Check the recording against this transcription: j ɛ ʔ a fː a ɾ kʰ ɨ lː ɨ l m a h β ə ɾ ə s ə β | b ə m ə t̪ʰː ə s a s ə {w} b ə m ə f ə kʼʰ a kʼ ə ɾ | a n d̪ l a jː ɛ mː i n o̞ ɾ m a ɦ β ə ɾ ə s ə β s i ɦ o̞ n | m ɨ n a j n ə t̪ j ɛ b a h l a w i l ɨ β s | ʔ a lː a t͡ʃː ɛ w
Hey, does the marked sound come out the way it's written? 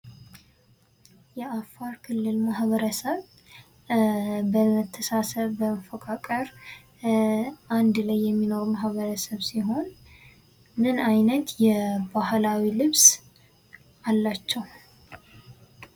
no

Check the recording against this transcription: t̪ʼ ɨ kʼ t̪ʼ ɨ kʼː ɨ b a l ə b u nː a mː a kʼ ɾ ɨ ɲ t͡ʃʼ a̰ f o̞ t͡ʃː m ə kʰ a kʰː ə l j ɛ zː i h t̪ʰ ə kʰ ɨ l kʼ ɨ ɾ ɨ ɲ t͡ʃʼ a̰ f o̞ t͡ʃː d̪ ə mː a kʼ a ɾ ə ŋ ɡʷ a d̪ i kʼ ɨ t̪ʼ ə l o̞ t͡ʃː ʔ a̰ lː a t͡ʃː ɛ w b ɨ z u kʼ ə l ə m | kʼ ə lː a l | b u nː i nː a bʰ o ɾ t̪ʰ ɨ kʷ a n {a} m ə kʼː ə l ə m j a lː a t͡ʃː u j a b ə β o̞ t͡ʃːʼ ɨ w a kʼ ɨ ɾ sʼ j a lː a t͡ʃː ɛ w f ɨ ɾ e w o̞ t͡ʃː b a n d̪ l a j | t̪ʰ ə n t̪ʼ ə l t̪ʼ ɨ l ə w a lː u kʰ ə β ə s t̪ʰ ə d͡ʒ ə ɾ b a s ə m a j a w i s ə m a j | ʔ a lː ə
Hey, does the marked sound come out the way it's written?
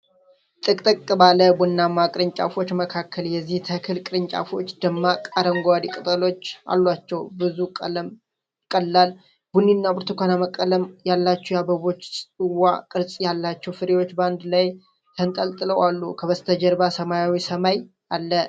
yes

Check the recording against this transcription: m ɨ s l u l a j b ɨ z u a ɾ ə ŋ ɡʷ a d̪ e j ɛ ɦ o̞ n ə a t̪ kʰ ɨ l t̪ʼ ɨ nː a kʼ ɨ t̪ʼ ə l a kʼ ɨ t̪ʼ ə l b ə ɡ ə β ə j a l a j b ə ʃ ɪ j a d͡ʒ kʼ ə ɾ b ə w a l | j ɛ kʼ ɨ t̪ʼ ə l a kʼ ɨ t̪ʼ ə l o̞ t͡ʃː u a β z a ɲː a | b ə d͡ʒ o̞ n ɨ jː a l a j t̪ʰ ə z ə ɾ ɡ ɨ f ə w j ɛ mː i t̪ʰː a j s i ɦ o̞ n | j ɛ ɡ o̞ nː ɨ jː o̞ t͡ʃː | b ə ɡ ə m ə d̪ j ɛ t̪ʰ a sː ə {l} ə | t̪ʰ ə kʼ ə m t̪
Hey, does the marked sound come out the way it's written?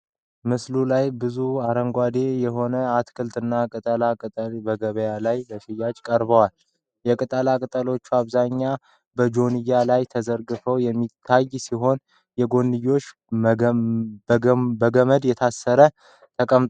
no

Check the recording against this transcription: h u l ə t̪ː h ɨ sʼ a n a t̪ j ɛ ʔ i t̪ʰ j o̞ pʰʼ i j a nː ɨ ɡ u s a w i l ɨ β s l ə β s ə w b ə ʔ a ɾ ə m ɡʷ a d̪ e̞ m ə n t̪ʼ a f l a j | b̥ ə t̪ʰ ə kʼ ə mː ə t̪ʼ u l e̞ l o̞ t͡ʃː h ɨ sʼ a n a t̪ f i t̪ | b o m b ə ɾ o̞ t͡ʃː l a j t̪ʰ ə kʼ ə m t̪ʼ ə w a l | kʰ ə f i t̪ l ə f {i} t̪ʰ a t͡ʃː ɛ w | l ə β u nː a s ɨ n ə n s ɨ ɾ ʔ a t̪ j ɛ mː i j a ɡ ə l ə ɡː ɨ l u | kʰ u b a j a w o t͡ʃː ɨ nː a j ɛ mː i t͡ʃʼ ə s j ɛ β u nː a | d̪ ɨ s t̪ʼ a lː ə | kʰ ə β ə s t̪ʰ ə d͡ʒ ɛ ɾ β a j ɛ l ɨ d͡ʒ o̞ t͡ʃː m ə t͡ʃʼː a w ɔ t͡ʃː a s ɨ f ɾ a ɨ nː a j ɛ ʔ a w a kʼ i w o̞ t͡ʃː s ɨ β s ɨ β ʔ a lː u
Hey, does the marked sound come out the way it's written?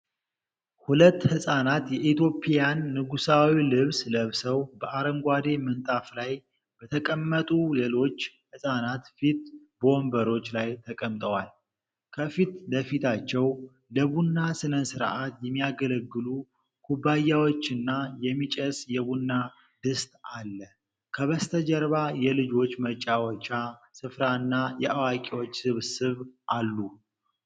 yes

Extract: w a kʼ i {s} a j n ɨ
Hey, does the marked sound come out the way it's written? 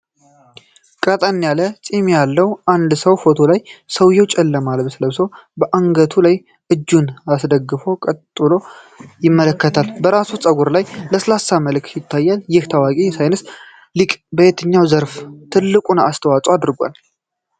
yes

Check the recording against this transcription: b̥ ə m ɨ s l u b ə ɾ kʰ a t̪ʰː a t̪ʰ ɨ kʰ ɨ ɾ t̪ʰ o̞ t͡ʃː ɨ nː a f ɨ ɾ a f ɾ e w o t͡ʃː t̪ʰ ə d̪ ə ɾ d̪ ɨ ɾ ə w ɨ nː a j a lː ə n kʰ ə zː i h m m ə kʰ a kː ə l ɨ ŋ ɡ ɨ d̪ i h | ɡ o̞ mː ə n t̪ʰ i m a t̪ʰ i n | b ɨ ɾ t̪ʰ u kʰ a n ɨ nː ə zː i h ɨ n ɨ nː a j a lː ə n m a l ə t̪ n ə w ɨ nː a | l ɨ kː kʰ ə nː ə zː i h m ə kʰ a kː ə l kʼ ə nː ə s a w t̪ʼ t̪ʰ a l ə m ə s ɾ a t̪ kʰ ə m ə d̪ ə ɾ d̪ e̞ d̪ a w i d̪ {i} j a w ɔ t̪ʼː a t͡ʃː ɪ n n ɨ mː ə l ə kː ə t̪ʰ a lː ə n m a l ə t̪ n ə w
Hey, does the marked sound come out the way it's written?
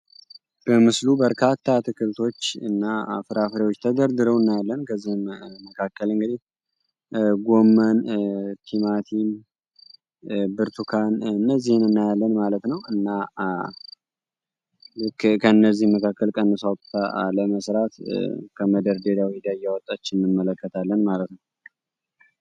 no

